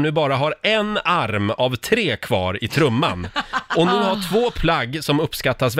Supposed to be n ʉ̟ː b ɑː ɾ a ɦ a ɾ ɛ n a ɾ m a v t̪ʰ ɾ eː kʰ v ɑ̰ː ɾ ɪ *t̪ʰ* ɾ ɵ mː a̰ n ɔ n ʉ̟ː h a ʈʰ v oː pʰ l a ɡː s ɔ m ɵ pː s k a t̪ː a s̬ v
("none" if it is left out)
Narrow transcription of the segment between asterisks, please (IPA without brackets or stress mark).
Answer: t̪ʰ